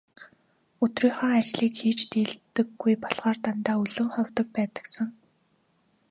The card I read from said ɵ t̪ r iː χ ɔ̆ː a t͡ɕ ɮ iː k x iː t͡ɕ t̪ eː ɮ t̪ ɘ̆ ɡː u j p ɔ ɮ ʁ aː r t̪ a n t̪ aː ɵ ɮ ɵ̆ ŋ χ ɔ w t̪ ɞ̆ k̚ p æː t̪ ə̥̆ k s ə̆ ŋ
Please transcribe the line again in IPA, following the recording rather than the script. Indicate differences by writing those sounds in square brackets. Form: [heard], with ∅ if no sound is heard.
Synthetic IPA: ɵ t̪ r iː χ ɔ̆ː a t͡ɕ ɮ iː k x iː t͡ɕ t̪ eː ɮ t̪ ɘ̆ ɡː u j p ɔ ɮ ʁ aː r t̪ a n t̪ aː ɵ ɮ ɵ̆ ŋ χ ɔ w t̪ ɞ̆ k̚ p æː t̪ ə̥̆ k s ə̆ ŋ